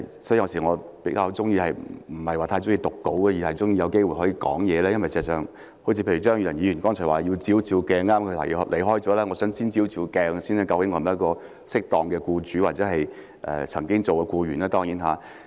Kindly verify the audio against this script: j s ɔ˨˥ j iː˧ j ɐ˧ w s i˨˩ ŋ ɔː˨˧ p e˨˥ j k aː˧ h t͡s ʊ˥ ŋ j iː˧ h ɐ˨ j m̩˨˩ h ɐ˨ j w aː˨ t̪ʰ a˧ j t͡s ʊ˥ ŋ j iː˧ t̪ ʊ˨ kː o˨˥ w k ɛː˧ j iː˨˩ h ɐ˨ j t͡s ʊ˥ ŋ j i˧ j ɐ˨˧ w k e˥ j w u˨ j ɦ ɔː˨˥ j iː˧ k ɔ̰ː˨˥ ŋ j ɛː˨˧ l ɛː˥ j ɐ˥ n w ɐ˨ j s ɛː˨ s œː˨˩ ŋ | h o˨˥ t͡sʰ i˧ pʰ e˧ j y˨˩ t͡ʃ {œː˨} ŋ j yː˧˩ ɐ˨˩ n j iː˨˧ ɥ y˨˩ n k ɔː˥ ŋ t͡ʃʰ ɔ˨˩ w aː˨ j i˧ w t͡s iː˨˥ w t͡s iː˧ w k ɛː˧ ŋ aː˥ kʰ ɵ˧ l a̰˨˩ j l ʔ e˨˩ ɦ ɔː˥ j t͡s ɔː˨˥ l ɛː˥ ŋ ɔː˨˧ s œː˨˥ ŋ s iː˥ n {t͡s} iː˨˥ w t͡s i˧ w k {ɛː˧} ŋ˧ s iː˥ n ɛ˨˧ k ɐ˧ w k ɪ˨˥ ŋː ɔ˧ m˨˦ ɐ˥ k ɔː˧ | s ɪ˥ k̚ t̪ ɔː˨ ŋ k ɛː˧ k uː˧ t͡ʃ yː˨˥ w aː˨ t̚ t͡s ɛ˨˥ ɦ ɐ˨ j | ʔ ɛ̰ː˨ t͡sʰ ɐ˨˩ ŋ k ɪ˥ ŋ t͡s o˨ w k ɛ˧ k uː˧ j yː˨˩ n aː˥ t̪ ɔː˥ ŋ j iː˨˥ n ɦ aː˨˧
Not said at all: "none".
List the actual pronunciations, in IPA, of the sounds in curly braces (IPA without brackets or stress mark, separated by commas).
œː˥, t͡s, ɛː˧